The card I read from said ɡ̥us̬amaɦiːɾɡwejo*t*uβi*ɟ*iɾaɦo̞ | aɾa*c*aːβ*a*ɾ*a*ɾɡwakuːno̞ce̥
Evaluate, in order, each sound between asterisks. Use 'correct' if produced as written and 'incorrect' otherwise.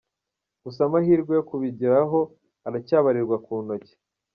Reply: incorrect, correct, correct, correct, incorrect

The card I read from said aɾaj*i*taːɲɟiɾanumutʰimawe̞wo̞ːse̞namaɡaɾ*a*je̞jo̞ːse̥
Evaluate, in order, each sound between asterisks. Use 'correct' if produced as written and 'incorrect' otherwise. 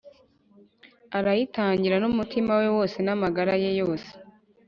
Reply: correct, correct

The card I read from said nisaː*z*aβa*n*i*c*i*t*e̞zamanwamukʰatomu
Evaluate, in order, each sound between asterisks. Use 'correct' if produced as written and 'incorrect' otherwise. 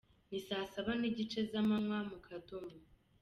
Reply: incorrect, correct, incorrect, incorrect

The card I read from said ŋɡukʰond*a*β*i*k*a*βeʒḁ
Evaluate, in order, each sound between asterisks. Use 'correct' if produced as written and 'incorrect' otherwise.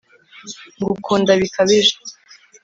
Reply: correct, correct, correct

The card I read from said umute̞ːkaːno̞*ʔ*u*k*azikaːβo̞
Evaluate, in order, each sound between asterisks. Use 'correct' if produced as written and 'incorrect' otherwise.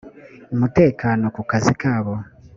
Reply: incorrect, correct

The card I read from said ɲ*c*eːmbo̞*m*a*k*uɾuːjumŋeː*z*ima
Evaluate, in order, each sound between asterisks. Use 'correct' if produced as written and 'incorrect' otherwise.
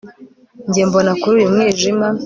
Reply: incorrect, incorrect, correct, incorrect

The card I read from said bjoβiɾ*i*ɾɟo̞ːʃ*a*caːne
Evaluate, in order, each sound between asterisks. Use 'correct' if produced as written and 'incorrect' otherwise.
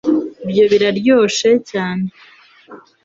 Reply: incorrect, incorrect

